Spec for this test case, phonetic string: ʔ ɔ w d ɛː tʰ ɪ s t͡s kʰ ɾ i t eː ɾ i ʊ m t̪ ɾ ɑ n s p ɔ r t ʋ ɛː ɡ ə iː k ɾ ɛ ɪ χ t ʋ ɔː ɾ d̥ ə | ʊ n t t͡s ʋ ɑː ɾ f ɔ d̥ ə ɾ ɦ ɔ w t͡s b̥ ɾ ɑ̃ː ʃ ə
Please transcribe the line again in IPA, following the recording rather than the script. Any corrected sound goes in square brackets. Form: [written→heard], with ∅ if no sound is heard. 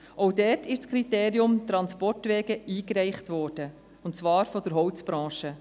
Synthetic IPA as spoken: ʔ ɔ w d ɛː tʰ ɪ [s→ʃ] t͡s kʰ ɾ i t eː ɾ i ʊ m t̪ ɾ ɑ n s p ɔ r t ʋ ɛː ɡ ə iː k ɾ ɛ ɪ χ t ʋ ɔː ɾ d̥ ə | ʊ n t t͡s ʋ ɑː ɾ f ɔ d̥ ə ɾ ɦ ɔ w t͡s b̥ ɾ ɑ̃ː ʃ ə